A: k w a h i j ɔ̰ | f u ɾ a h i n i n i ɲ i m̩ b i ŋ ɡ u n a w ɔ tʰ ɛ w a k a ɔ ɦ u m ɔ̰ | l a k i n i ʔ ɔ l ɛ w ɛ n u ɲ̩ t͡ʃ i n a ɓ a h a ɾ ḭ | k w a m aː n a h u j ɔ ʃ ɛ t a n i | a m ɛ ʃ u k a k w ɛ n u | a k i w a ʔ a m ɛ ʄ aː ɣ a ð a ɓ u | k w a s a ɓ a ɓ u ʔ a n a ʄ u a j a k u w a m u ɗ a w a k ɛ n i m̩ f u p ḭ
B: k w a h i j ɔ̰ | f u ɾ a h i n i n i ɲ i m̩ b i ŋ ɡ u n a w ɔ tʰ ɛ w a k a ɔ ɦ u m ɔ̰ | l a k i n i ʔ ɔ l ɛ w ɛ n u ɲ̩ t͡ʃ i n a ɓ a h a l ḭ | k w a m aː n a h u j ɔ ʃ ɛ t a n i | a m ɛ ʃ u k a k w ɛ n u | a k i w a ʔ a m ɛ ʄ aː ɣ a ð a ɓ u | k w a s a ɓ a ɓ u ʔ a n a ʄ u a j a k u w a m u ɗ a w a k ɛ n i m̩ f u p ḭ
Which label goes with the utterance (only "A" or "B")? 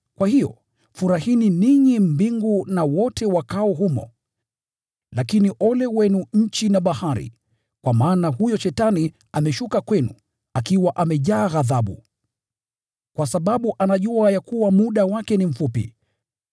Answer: A